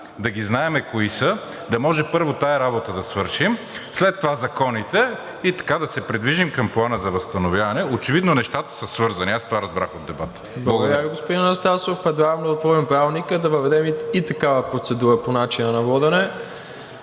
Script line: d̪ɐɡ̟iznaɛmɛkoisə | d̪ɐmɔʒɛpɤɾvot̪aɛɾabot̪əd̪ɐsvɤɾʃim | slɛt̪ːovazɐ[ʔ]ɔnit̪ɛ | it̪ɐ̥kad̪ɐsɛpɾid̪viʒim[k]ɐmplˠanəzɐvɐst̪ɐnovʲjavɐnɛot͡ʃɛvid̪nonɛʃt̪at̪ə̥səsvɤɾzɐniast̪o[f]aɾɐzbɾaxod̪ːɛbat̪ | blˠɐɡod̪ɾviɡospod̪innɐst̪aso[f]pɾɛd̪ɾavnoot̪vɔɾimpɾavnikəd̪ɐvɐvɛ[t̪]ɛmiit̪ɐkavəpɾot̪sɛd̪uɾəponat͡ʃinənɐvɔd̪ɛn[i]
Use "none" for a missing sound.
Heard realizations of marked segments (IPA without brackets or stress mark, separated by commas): k, k, v, f, d̪, ɛ